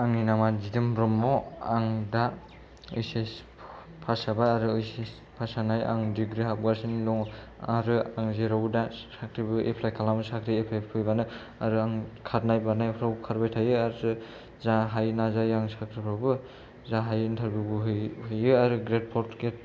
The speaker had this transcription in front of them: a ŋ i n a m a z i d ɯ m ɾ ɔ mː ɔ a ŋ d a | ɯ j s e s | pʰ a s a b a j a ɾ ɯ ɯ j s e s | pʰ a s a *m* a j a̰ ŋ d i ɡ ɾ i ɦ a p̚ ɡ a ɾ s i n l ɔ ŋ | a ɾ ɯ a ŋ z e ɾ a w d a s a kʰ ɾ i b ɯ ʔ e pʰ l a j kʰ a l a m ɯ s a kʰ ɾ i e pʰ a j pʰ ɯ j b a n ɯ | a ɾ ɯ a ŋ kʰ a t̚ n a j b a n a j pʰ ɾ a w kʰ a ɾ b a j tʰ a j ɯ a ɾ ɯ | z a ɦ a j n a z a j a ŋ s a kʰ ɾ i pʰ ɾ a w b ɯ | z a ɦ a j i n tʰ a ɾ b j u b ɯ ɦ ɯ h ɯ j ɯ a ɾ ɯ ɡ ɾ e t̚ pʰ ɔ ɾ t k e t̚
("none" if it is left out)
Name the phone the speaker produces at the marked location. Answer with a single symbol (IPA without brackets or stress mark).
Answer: n